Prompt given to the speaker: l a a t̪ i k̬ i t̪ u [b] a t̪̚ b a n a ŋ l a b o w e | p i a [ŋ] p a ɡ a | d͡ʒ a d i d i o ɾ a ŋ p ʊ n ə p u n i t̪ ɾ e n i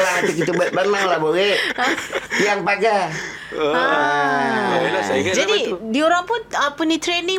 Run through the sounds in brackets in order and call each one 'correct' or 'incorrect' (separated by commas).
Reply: correct, correct